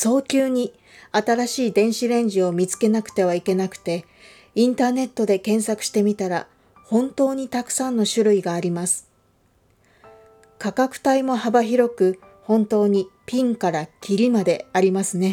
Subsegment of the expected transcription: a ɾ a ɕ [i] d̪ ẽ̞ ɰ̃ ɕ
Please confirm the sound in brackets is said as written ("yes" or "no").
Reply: no